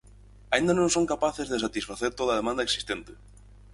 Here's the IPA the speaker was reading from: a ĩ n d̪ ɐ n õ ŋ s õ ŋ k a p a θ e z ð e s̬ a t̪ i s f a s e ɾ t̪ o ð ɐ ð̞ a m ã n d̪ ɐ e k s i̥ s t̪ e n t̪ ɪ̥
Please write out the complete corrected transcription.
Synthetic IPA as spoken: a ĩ n d̪ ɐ n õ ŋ s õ ŋ k a p a θ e z ð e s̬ a t̪ i s f a θ e ɾ t̪ o ð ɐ ð̞ e m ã n d̪ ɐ e k s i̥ s t̪ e n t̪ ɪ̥

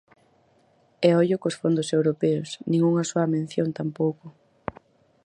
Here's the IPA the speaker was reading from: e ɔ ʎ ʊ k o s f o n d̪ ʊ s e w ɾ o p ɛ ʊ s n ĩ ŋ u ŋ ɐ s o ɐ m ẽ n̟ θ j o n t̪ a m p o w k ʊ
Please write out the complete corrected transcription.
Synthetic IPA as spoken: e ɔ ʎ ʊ k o s f o n d̪ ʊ s e w ɾ o p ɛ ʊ s n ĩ ŋ u ŋ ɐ s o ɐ m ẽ n̟ θ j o n t̪ a m p o w k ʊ

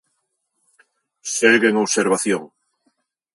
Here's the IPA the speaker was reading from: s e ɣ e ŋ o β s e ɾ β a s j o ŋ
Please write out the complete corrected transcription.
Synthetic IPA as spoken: s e ɣ e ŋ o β s e ɾ β a θ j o ŋ

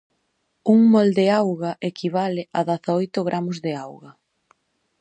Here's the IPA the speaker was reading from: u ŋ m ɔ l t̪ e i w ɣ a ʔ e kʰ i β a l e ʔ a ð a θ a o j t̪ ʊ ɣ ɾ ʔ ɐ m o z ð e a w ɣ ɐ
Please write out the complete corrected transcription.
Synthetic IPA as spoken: u ŋ m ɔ l d̪ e a w ɣ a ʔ e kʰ i β a l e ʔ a ð a θ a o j t̪ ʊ ɣ ɾ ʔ a m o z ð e a w ɣ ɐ

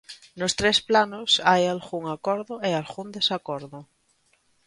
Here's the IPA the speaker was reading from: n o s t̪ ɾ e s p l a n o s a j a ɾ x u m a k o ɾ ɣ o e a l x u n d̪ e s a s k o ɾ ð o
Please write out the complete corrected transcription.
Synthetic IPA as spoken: n o s t̪ ɾ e s p l a n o s a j a l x u ŋ a k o ɾ ð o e a l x u n d̪ e s a k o ɾ ð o

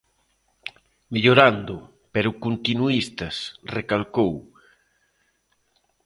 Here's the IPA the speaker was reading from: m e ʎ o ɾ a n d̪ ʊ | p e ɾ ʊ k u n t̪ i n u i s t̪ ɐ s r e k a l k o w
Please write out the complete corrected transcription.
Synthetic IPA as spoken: m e ʎ o ɾ a n d̪ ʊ | p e ɾ ʊ k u n t̪ i n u i s t̪ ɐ s r e k a l k o w

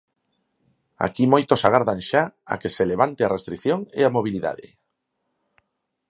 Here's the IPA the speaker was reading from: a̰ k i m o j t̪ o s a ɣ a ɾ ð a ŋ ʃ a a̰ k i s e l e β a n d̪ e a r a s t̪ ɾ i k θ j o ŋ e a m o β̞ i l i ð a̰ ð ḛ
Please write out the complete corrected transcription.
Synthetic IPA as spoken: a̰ k i m o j t̪ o s a ɣ a ɾ ð a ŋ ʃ a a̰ k e s e l e β a n t̪ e a r e s t̪ ɾ i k θ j o ŋ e a m o β̞ i l i ð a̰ ð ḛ

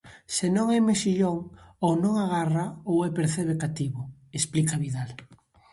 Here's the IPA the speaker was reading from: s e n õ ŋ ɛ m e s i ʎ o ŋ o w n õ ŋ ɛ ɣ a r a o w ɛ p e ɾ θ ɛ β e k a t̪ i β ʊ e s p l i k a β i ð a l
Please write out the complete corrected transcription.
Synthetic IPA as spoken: s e n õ ŋ ɛ m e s i ʎ o ŋ o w n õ ŋ a ɣ a r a o w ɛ p e ɾ θ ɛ β e k a t̪ i β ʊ e s p l i k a β i ð a l

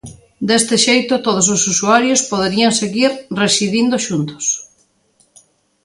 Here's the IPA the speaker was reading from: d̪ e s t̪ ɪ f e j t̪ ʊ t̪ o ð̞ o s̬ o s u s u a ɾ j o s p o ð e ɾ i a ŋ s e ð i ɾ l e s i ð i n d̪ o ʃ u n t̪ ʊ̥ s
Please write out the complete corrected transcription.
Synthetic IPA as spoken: d̪ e s t̪ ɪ ʃ e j t̪ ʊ t̪ o ð̞ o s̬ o s u s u a ɾ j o s p o ð e ɾ i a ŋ s e ɣ i ɾ r e s i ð i n d̪ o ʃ u n t̪ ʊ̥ s

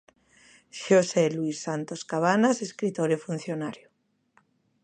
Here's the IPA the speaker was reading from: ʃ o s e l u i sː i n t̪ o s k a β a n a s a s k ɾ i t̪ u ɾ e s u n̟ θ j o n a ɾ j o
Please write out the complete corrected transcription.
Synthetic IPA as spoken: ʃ o s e l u i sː a n t̪ o s k a β a n a s e s k ɾ i t̪ o ɾ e f u n̟ θ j o n a ɾ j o

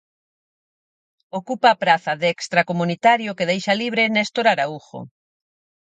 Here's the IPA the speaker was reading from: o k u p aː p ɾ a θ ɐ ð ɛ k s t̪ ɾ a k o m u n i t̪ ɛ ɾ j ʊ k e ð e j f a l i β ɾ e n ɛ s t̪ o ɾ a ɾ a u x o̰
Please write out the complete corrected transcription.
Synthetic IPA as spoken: o k u p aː p ɾ a θ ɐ ð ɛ k s t̪ ɾ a k o m u n i t̪ a ɾ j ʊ k e ð e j ʃ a l i β ɾ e n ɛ s t̪ o ɾ a ɾ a u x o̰

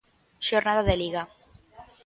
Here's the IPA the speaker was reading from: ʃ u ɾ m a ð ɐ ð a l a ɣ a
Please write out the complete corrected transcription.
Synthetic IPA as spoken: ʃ o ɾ n a ð a ð e l i ɣ a

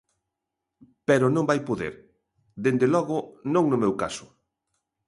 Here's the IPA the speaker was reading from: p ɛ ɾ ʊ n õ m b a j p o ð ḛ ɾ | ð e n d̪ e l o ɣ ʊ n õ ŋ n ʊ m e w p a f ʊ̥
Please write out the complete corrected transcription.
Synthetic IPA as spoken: p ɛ ɾ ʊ n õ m b a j p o ð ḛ ɾ | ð e n d̪ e l ɔ ɣ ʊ n õ ŋ n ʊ m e w k a s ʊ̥

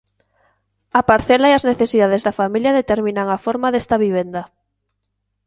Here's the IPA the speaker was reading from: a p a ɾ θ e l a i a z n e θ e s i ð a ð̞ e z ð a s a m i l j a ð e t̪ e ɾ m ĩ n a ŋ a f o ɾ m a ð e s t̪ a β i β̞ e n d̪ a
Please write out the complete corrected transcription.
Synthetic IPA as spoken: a p a ɾ θ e l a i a z n e θ e s i ð a ð̞ e z ð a f a m i l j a ð e t̪ e ɾ m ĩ n a ŋ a f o ɾ m a ð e s t̪ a β i β̞ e n d̪ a

